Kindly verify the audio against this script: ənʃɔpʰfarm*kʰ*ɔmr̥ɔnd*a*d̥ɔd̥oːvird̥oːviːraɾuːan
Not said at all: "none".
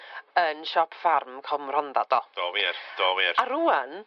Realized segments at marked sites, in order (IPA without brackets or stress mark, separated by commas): kʰ, a